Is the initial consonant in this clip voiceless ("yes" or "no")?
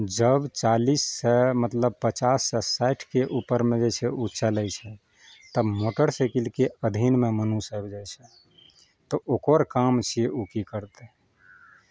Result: no